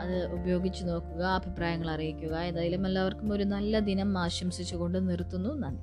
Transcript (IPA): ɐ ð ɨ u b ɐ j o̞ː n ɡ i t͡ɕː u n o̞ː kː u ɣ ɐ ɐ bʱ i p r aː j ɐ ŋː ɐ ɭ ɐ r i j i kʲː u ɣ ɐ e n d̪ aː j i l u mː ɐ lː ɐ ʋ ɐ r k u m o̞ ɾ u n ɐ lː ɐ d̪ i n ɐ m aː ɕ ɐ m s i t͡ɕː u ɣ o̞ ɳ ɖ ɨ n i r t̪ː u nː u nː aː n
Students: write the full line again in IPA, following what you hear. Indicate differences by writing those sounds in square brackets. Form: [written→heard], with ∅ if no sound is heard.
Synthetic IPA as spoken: ɐ ð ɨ u b ɐ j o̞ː [n→∅] ɡ i t͡ɕː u n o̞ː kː u ɣ ɐ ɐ bʱ i p r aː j ɐ ŋː ɐ ɭ ɐ r i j i kʲː u ɣ ɐ e n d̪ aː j i l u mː ɐ lː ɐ ʋ ɐ r k u m o̞ ɾ u n ɐ lː ɐ d̪ i n ɐ m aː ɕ ɐ m s i t͡ɕː u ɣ o̞ ɳ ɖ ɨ n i r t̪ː u nː u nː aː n